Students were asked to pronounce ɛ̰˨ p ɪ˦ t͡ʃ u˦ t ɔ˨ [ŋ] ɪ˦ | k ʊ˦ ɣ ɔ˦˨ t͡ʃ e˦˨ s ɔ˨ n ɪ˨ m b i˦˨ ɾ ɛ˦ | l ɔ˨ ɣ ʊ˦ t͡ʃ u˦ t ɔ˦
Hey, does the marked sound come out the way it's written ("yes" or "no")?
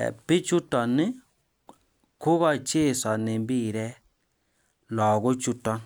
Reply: no